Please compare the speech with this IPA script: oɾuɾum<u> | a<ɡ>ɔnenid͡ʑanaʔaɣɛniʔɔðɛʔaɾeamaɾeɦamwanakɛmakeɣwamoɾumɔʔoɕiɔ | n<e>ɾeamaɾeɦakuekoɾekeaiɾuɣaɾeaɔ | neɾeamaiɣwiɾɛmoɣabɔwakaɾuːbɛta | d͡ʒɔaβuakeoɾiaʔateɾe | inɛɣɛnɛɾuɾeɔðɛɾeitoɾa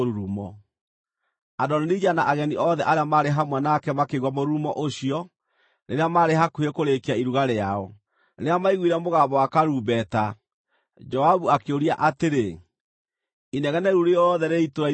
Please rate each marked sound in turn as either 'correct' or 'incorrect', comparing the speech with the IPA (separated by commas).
incorrect, incorrect, correct